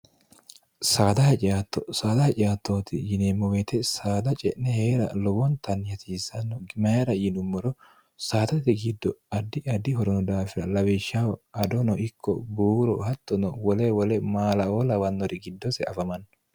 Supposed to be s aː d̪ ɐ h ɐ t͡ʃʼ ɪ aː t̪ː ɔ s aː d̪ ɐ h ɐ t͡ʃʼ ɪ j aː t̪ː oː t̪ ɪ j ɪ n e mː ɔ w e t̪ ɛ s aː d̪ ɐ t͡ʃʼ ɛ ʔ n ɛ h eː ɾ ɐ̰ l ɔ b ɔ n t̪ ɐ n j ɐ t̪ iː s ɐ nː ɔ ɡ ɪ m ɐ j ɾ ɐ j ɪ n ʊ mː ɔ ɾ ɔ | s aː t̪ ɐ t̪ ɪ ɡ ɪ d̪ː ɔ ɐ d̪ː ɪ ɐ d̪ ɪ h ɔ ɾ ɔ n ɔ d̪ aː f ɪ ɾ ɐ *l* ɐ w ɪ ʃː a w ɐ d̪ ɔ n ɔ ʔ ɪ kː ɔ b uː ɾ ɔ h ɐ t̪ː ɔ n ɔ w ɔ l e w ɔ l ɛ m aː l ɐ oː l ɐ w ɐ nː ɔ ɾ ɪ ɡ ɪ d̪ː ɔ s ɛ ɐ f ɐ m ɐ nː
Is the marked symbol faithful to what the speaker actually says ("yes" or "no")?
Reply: yes